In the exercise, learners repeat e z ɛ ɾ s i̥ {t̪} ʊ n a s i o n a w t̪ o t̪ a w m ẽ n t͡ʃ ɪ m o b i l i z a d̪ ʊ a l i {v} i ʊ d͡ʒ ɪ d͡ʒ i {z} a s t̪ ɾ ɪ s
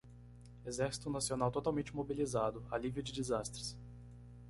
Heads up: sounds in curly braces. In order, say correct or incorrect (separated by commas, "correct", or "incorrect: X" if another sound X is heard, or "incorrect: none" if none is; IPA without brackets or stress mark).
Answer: correct, correct, correct